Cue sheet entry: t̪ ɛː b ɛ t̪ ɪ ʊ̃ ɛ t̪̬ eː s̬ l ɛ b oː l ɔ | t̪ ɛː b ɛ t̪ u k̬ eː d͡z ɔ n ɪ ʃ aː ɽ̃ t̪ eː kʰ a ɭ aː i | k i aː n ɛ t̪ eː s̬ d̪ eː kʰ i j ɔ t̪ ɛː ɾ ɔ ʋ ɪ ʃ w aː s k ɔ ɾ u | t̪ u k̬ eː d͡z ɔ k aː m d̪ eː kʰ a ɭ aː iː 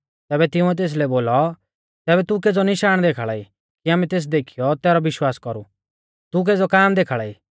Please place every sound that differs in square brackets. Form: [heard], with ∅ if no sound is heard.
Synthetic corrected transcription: t̪ ɛː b ɛ t̪ ɪ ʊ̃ ɛ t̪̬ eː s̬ l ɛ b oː l ɔ | t̪ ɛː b ɛ t̪ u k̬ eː d͡z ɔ n ɪ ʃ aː ɽ̃ [d̪] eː kʰ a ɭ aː i | k i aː [m] ɛ t̪ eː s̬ d̪ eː kʰ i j ɔ t̪ ɛː ɾ ɔ ʋ ɪ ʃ w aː s k ɔ ɾ u | t̪ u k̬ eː d͡z ɔ k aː m d̪ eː kʰ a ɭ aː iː